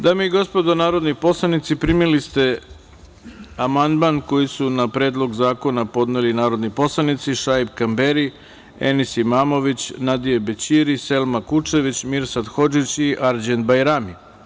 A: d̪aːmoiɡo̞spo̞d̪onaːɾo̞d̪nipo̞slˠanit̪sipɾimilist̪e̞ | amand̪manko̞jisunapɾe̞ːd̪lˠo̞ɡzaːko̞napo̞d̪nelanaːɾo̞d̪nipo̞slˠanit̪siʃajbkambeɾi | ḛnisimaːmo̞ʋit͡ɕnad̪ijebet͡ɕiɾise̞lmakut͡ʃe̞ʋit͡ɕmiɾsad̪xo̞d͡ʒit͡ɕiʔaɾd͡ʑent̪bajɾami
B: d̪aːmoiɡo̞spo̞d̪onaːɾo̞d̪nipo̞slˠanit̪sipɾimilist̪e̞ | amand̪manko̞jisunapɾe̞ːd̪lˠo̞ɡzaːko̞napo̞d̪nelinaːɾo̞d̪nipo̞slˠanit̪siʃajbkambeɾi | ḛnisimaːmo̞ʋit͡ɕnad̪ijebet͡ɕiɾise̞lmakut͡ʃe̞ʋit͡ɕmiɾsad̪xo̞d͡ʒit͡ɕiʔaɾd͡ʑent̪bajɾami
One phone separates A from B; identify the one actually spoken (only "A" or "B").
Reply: B